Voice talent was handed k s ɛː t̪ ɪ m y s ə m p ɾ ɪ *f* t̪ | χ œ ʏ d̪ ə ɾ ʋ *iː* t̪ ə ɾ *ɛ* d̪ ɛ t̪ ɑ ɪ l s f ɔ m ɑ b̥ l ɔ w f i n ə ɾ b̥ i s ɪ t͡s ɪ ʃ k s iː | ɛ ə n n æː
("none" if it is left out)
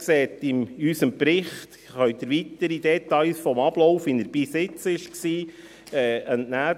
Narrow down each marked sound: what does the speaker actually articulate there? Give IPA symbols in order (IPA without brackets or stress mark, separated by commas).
χ, i, i